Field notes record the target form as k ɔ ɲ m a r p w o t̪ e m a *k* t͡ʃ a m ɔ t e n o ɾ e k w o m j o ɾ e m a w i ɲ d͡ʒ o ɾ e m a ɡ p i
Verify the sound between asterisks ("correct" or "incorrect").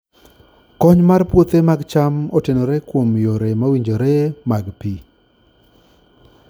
incorrect